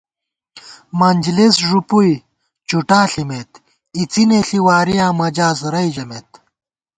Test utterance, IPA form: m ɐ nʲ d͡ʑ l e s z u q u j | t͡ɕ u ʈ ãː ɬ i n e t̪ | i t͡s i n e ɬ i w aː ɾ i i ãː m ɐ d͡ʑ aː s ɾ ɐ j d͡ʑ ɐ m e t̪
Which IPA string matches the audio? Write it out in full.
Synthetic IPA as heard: m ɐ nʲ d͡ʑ l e s ʐ u p u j | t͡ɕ u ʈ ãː ɬ i m e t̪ | i t͡s i n e ɬ i w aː ɾ i j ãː m ɐ d͡ʑ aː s ɾ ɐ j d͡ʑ ɐ m e t̪